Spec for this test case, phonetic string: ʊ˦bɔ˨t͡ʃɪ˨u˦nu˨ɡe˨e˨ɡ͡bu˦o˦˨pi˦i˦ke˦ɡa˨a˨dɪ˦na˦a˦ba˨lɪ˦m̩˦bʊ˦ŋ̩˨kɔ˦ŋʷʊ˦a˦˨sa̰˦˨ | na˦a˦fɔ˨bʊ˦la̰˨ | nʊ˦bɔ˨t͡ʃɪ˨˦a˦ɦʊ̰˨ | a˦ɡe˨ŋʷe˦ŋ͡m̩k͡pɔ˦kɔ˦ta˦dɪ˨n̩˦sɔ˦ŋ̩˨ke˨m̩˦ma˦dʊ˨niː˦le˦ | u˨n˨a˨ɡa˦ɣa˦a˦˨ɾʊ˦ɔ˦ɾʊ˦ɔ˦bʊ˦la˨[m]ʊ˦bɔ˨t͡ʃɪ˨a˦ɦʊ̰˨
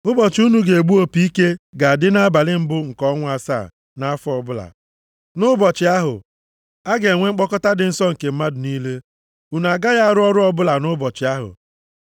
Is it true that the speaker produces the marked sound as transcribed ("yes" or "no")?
no